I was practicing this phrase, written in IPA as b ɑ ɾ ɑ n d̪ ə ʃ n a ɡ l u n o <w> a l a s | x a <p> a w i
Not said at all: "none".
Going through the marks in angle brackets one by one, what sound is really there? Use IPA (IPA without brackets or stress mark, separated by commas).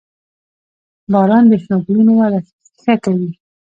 w, k